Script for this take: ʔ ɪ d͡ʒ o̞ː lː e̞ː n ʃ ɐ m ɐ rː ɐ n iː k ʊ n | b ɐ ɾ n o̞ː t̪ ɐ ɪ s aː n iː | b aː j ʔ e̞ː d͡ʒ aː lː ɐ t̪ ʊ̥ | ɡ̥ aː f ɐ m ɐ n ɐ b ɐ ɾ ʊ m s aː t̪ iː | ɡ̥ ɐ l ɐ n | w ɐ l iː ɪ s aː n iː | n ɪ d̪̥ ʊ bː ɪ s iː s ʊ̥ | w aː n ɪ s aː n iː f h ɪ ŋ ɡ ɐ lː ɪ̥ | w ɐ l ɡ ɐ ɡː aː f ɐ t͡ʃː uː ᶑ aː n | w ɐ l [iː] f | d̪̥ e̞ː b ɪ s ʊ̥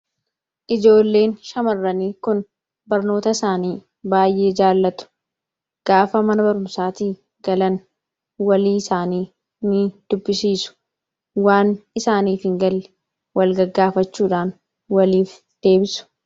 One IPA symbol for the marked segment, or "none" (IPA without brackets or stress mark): iː